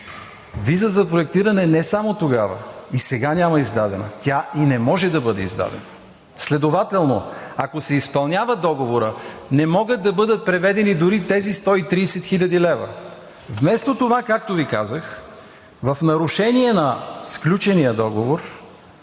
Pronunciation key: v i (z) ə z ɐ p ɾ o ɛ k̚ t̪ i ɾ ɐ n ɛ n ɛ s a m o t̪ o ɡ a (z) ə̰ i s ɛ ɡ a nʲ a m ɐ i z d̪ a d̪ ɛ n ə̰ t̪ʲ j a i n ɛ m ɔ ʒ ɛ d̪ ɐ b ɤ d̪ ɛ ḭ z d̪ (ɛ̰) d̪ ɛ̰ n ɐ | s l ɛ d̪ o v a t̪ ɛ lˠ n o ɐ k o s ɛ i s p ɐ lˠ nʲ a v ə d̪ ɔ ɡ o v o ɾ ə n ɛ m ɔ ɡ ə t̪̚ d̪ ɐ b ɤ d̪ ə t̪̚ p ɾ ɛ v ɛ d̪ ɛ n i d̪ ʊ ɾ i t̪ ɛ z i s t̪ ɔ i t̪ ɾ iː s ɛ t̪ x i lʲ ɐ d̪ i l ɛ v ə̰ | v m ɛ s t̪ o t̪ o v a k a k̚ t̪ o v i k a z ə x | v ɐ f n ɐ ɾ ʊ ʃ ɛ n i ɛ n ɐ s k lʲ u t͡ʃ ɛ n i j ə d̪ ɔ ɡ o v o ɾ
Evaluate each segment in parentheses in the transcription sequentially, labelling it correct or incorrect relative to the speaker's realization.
correct, incorrect: v, incorrect: a̰

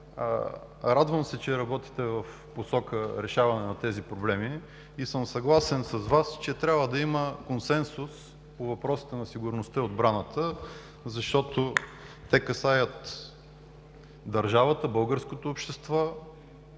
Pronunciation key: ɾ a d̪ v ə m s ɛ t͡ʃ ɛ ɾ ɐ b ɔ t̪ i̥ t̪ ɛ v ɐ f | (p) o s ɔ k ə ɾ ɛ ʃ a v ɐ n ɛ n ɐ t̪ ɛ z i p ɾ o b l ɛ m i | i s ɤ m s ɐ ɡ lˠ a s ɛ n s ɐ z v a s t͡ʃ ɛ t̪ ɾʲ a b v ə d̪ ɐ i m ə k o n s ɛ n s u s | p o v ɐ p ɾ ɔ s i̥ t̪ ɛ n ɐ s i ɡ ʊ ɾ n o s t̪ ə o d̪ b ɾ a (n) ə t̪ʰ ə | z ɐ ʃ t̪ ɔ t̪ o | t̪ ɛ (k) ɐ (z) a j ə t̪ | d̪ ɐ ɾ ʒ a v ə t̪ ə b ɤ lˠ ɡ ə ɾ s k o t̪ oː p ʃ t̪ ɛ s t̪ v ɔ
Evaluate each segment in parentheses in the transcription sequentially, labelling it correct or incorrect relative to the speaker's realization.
correct, correct, correct, incorrect: s

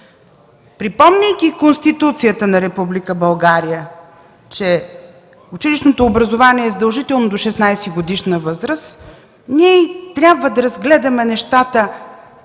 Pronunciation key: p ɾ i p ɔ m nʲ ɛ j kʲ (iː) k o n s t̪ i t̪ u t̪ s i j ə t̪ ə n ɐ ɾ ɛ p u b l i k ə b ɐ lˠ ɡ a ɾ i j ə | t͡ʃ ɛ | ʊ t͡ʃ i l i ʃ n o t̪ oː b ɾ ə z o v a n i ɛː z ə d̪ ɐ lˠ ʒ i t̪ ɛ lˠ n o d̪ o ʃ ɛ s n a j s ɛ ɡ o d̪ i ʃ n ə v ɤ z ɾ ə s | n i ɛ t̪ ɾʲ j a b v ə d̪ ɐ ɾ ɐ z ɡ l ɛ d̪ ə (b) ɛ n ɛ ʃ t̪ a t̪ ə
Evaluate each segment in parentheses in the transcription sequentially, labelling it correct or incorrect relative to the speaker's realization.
incorrect: i, incorrect: m

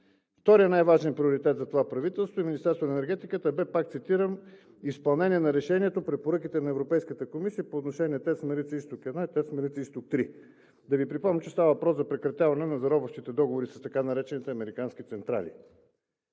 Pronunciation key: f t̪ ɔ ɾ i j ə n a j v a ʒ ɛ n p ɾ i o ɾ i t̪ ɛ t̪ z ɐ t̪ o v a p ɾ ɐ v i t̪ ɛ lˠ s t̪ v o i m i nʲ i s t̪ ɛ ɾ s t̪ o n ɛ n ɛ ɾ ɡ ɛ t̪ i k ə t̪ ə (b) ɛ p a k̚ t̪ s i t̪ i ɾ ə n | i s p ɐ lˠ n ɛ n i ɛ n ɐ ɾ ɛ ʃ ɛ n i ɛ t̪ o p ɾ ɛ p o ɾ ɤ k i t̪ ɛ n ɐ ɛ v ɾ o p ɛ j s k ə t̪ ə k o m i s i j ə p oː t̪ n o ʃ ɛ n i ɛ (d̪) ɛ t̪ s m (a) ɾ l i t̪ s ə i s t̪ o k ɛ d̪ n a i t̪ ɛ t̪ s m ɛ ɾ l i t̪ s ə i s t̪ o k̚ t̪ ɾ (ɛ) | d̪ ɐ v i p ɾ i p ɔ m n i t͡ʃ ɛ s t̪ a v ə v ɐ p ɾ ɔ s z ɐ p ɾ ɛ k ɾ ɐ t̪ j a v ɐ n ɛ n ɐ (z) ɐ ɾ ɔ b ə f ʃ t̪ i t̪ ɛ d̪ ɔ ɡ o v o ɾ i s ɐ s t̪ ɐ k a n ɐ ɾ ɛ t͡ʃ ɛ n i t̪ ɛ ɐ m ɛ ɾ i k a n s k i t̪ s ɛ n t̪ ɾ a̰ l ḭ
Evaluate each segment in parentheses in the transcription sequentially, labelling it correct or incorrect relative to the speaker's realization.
correct, incorrect: t̪, incorrect: ɛ, incorrect: i, correct

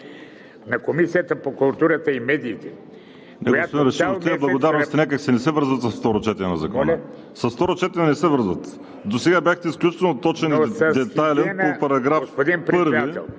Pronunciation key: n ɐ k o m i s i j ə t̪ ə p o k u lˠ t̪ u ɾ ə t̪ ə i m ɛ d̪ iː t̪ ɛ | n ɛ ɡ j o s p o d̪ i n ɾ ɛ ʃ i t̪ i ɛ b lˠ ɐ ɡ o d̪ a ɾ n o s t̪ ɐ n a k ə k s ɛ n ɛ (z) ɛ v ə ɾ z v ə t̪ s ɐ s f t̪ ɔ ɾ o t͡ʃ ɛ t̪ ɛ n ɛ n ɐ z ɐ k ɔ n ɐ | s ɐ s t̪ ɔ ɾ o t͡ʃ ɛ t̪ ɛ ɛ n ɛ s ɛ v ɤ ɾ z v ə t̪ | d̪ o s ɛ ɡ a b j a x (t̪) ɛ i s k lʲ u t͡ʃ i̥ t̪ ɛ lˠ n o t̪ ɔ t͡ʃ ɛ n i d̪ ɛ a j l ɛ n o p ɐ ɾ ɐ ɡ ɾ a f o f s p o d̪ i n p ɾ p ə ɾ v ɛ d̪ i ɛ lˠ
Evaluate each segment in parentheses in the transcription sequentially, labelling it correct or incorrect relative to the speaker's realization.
incorrect: s, correct

